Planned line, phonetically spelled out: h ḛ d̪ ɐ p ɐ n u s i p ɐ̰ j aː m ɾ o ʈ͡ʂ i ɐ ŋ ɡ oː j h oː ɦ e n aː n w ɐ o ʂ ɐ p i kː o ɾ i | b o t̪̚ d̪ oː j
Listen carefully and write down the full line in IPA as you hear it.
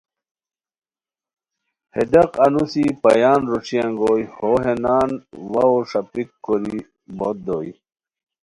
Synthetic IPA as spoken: h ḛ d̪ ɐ q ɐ n u s i p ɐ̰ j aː n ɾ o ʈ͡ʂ i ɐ ŋ ɡ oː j h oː ɦ e n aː n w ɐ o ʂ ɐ p i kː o ɾ i | b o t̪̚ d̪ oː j